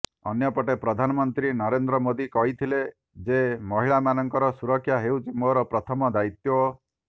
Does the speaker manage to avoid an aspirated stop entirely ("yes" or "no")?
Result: no